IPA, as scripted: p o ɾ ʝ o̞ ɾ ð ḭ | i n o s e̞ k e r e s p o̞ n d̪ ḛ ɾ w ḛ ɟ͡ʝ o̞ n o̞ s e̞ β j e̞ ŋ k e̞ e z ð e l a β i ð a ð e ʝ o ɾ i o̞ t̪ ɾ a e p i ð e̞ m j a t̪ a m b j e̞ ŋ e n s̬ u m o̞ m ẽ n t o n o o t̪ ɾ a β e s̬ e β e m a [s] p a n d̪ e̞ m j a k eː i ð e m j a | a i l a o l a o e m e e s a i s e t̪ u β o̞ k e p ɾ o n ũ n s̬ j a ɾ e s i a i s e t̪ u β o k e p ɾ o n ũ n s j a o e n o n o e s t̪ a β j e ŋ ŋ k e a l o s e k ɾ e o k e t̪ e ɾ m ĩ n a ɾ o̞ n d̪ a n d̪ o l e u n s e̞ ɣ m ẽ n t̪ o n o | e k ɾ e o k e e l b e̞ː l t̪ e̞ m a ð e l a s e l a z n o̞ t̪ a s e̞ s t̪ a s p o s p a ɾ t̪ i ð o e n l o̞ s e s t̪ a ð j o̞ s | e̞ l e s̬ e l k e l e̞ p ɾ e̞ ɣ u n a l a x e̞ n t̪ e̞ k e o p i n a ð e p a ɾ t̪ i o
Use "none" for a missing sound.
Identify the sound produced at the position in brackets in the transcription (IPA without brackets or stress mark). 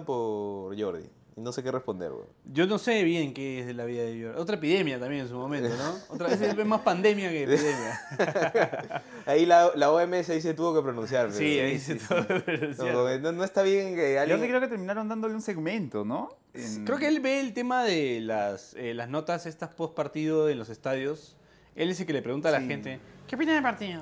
s